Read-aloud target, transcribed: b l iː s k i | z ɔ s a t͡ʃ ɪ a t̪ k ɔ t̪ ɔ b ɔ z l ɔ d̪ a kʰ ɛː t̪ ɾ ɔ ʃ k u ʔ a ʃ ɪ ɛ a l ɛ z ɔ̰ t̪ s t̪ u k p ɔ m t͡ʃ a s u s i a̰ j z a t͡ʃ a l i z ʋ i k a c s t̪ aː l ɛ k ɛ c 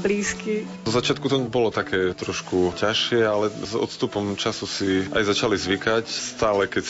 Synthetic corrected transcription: b l iː s k i | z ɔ z a t͡ʃ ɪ a t̪ k u t̪ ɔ b ɔ l ɔ t̪ a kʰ ɛː t̪ ɾ ɔ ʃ k u c a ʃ ɪ ɛ a l ɛ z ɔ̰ t̪ s t̪ u p ɔ m t͡ʃ a s u s i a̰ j z a t͡ʃ a l i z ʋ i k a c s t̪ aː l ɛ k ɛ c